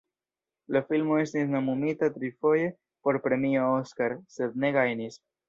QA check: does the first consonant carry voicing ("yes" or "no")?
yes